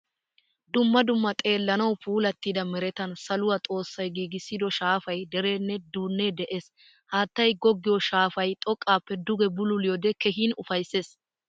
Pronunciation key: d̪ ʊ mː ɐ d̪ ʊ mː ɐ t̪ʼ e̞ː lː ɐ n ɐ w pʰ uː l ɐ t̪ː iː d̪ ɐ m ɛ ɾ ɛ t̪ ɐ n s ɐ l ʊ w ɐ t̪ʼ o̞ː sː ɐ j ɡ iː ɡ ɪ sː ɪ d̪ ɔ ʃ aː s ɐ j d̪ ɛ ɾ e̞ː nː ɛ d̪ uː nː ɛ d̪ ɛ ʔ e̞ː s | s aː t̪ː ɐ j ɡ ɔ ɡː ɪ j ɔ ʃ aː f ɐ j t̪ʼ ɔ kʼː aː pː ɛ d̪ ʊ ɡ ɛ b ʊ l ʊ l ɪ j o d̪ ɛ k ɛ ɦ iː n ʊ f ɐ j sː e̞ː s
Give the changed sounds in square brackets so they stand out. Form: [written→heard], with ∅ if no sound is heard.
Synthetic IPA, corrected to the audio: d̪ ʊ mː ɐ d̪ ʊ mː ɐ t̪ʼ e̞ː lː ɐ n ɐ w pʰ uː l ɐ t̪ː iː d̪ ɐ m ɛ ɾ ɛ t̪ ɐ n s ɐ l ʊ w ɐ t̪ʼ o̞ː sː ɐ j ɡ iː ɡ ɪ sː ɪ d̪ ɔ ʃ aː [s→f] ɐ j d̪ ɛ ɾ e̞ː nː ɛ d̪ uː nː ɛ d̪ ɛ ʔ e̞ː s | [s→h] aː t̪ː ɐ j ɡ ɔ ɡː ɪ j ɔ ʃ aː f ɐ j t̪ʼ ɔ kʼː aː pː ɛ d̪ ʊ ɡ ɛ b ʊ l ʊ l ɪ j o d̪ ɛ k ɛ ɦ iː n ʊ f ɐ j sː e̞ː s